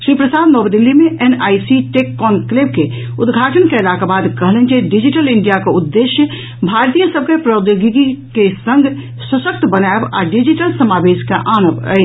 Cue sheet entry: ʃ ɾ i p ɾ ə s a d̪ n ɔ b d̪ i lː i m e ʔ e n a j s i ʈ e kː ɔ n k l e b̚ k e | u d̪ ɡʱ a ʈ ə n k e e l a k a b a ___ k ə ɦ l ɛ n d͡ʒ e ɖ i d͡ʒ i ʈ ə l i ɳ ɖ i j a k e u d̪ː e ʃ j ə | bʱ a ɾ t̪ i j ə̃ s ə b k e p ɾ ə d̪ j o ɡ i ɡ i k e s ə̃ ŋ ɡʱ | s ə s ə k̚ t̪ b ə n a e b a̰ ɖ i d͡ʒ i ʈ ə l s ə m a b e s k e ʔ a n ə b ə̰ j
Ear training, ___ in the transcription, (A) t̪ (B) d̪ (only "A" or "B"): B